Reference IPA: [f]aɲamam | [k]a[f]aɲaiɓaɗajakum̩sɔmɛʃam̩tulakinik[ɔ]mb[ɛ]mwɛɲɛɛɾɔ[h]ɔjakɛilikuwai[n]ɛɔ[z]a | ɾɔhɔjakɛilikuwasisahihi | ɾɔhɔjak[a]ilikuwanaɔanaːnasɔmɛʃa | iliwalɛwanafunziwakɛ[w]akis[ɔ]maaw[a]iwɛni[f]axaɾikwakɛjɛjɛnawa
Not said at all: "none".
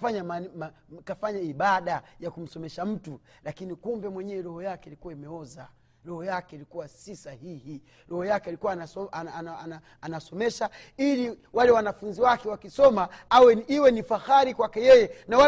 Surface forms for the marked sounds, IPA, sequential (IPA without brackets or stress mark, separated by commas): f, k, f, u, ɛ, h, m, z, ɛ, w, ɔ, ɛ, f